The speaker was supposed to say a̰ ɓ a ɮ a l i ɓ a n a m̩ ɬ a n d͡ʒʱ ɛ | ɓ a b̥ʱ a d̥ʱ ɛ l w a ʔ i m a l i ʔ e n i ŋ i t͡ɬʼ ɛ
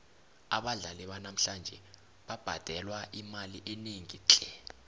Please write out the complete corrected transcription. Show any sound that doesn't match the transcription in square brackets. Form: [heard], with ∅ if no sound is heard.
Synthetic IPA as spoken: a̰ ɓ a ɮ a l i ɓ a n a m̩ ɬ a n d͡ʒʱ ɛ | ɓ a b̥ʱ a d̥ʱ ɛ l w a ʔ i m a l i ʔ e n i ŋ i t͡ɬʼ ɛ